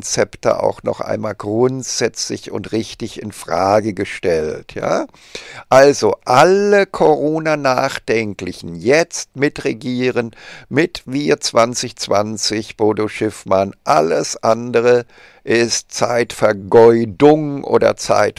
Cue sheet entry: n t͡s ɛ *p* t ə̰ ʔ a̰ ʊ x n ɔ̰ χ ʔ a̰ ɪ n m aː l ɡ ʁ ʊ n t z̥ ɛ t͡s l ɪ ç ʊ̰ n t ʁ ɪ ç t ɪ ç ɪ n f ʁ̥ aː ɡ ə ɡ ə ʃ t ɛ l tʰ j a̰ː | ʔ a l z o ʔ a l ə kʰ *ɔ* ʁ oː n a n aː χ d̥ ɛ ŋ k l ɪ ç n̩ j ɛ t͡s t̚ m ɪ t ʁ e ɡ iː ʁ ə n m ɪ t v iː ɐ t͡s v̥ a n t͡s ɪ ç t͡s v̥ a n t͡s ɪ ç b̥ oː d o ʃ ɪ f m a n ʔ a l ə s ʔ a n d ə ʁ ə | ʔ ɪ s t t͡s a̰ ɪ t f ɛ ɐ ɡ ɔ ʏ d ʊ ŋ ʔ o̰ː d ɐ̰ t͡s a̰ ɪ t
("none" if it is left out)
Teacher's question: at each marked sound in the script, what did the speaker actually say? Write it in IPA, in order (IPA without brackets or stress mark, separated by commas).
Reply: p, o